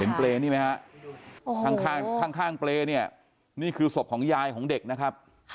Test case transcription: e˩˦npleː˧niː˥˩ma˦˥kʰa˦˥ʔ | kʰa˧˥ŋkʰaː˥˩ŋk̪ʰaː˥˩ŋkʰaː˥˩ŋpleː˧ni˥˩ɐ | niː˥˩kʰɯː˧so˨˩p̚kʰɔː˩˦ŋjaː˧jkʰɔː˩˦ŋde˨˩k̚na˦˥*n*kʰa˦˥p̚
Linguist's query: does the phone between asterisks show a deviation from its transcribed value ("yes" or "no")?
yes